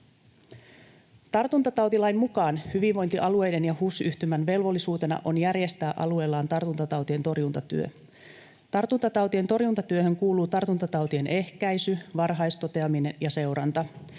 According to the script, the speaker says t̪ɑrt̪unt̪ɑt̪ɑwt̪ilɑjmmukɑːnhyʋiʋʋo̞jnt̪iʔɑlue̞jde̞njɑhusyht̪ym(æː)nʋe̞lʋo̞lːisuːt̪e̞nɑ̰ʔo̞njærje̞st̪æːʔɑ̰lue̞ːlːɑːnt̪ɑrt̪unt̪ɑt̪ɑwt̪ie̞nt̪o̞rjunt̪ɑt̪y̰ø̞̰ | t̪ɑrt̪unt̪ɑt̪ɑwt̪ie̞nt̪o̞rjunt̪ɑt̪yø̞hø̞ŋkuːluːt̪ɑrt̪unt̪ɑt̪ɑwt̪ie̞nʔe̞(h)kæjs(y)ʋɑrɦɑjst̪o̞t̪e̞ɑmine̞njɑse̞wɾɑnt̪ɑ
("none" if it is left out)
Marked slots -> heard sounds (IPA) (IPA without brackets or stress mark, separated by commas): æ, h, y